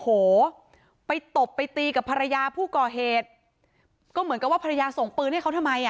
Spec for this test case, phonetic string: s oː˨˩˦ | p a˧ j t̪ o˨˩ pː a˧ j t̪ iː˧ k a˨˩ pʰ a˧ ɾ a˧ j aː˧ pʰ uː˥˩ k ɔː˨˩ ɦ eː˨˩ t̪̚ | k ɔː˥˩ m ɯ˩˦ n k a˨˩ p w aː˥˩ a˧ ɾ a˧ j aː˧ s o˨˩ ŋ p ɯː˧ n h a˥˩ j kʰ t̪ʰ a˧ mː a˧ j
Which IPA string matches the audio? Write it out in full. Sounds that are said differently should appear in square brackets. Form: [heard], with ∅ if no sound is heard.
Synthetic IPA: [h] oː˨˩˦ | p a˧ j t̪ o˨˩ pː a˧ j t̪ iː˧ k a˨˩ pʰ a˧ ɾ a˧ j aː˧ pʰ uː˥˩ k ɔː˨˩ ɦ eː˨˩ t̪̚ | k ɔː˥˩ m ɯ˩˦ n k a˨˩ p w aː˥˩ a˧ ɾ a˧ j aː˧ s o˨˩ ŋ p ɯː˧ n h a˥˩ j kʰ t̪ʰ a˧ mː a˧ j